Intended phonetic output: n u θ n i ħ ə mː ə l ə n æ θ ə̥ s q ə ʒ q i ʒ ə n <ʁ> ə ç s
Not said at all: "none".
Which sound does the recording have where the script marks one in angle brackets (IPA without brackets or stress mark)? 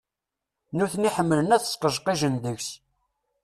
ð